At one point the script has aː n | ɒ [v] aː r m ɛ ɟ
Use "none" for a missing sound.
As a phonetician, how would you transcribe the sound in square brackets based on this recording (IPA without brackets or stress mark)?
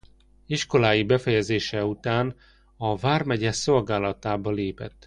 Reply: v